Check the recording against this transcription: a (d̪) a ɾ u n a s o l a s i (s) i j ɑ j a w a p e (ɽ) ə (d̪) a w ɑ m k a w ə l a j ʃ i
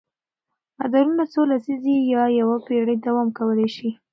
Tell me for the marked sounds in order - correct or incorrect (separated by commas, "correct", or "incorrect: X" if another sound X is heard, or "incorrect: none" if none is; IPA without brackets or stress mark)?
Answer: correct, incorrect: z, correct, correct